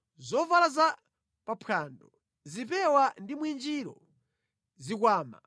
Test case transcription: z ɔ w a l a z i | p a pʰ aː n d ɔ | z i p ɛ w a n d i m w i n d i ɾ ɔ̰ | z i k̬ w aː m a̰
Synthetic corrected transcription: z ɔ v a l a z a | p a pʰ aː n d ɔ | z i p ɛ w a n d i m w i n d͡ʒ i ɾ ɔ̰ | z i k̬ w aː m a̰

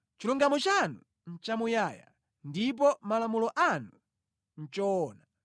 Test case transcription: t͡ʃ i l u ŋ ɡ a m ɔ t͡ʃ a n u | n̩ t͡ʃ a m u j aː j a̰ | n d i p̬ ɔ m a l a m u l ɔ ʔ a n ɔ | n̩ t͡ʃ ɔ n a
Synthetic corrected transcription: t͡ʃ i l u ŋ ɡ a m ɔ t͡ʃ a n u | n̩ t͡ʃ a m u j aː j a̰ | n d i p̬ ɔ m a l a m u l ɔ ʔ a n u | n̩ t͡ʃ ɔ n a

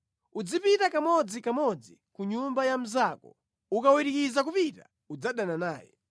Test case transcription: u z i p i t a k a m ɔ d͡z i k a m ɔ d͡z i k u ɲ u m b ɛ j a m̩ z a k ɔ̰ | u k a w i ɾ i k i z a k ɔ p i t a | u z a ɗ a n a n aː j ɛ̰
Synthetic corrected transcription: u d͡z i p i t a k a m ɔ d͡z i k a m ɔ d͡z i k u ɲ u m b a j a m̩ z a k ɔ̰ | u k a w i ɾ i k i z a k u p i t a | u d͡z a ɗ a n a n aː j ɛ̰

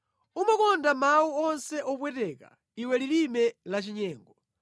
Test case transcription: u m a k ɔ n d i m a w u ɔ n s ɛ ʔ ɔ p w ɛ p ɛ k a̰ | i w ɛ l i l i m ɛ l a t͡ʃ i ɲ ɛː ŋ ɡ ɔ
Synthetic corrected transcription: u m a k ɔ n d a m a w u ɔ n s ɛ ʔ ɔ p w ɛ t ɛ k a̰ | i w ɛ l i l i m ɛ l a t͡ʃ i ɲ ɛː ŋ ɡ ɔ

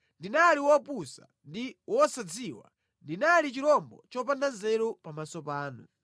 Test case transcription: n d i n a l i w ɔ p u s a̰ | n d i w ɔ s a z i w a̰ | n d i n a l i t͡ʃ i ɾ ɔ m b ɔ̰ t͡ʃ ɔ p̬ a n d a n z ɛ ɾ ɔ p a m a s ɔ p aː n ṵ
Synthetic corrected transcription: n d i n a l i w ɔ p u s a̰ | n d i w ɔ s a d͡z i w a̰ | n d i n a l i t͡ʃ i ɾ ɔ m b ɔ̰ t͡ʃ ɔ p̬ a n d a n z ɛ ɾ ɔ p a m a s ɔ p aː n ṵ

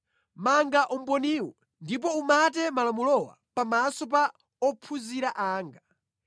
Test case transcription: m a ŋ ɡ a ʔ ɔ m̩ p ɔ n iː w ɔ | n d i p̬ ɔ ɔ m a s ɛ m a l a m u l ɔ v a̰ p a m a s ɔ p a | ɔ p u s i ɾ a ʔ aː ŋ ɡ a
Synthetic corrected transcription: m a ŋ ɡ a ʔ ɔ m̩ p ɔ n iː w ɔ | n d i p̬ ɔ u m a t ɛ m a l a m u l ɔ w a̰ p a m a s ɔ p a | ɔ pʰ u z i ɾ a ʔ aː ŋ ɡ a

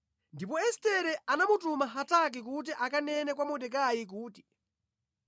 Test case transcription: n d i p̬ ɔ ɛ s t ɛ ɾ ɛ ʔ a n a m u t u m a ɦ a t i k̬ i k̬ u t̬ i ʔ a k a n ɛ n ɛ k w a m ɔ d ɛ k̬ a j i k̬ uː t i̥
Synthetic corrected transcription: n d i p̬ ɔ ɛ s t ɛ ɾ ɛ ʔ a n a m u t u m a ɦ a t a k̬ i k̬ u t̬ i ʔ a k a n ɛ n ɛ k w a m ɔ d ɛ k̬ a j i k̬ uː t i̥

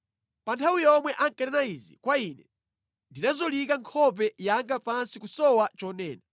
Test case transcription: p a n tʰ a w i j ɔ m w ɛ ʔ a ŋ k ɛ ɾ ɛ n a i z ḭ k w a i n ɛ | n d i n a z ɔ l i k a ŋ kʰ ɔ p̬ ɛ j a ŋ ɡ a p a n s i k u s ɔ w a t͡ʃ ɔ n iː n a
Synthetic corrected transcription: p a n tʰ a w i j ɔ m w ɛ ʔ a ŋ k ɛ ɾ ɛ n a i z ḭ k w a i n ɛ | n d i n a z ɔ l i k a ŋ kʰ ɔ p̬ ɛ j a ŋ ɡ a p a n s i k u s ɔ w a t͡ʃ ɔ n ɛː n a

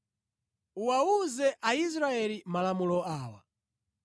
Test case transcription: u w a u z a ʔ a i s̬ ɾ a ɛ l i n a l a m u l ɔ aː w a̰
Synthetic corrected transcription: u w a u z ɛ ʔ a i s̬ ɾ a ɛ l i m a l a m u l ɔ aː w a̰

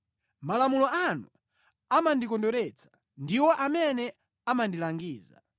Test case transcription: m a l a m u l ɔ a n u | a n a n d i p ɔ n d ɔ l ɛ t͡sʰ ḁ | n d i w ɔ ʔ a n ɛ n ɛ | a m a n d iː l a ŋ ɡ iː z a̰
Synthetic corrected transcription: m a l a m u l ɔ a n u | a m a n d i k ɔ n d ɔ ɾ ɛ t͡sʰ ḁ | n d i w ɔ ʔ a m ɛ n ɛ | a m a n d i l a ŋ ɡ iː z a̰

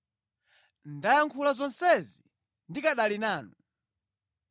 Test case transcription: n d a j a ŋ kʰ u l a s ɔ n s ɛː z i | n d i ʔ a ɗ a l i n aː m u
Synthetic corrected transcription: n d a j a ŋ kʰ u l a z ɔ n s ɛ z i | n d i k a ɗ a l i n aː n u

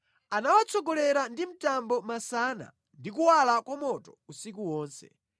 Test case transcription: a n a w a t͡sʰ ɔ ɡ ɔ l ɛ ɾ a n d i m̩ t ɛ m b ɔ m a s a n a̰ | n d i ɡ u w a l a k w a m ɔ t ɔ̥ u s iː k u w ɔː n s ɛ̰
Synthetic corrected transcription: a n a w a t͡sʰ ɔ ɡ ɔ l ɛ ɾ a n d i m̩ t a m b ɔ m a s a n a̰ | n d i k u w a l a k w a m ɔ t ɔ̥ u s i k u w ɔː n s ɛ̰

